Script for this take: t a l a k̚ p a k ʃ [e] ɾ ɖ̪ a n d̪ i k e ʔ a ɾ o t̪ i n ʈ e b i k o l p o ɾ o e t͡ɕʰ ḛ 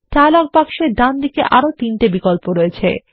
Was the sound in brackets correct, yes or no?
yes